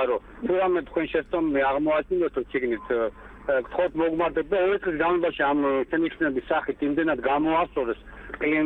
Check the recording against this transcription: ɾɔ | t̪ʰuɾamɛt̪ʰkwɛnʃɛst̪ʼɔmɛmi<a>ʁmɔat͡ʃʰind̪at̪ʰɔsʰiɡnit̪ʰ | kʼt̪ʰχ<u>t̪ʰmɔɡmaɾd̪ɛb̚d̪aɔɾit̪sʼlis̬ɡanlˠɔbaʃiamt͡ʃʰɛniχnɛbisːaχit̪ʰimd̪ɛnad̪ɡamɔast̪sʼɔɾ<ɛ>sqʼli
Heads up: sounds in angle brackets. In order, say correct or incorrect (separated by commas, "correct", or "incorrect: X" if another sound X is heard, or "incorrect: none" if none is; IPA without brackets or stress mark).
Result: correct, incorrect: ɔ, correct